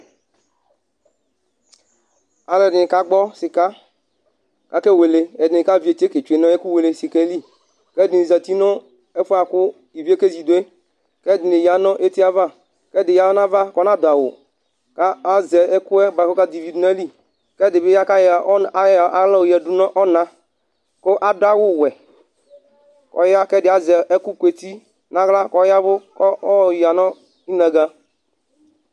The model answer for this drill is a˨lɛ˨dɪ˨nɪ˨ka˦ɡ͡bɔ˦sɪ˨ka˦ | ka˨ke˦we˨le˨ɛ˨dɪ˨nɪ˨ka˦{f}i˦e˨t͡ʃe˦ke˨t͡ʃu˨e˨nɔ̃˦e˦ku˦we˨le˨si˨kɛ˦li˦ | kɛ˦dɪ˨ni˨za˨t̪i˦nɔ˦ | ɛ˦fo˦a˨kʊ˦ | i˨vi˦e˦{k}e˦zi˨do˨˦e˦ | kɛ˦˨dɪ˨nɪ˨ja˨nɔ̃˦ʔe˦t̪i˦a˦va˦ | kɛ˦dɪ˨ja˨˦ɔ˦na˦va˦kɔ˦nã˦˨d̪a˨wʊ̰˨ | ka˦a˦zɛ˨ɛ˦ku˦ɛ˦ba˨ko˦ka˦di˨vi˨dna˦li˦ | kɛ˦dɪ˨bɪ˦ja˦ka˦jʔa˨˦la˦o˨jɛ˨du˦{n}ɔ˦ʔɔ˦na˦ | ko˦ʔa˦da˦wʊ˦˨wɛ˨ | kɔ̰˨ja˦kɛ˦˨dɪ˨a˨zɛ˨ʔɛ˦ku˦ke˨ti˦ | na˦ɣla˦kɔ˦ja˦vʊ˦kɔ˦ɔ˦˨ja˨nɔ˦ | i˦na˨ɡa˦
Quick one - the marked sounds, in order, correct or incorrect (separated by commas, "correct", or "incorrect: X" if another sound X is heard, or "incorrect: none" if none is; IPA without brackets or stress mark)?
incorrect: v, correct, correct